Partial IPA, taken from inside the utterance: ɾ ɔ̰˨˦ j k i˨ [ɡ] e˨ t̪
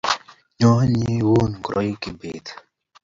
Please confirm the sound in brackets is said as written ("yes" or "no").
no